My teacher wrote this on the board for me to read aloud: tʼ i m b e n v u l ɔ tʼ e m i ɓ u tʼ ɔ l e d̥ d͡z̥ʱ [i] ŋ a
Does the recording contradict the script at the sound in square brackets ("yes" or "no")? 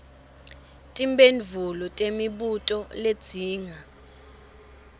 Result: yes